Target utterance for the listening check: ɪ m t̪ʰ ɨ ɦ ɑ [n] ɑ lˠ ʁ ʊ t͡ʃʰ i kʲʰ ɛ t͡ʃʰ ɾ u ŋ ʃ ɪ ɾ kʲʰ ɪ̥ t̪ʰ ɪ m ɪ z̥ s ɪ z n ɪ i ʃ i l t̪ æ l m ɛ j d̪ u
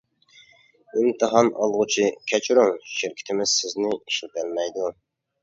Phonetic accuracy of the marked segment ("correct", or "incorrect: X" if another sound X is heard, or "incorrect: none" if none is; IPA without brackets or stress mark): correct